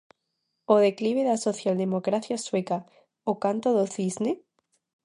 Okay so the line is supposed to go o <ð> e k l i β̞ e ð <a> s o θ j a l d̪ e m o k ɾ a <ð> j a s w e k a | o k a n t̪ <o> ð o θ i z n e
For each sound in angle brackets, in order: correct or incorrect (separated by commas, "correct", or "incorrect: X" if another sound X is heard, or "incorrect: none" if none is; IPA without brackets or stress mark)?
correct, correct, incorrect: θ, correct